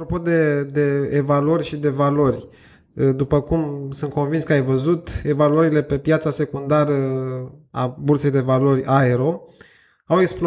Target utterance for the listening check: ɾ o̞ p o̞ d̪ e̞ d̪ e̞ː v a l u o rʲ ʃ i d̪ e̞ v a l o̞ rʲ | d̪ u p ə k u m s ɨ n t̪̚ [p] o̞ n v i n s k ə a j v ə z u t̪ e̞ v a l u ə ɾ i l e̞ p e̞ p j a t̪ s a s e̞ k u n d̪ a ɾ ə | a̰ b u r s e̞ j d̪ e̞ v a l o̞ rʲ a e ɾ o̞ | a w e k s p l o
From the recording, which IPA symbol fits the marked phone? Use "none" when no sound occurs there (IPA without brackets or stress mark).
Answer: k